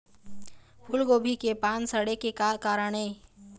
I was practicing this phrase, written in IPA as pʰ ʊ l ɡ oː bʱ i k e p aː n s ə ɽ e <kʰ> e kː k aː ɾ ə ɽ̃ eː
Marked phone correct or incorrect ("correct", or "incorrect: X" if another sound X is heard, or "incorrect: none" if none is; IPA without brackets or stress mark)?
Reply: incorrect: k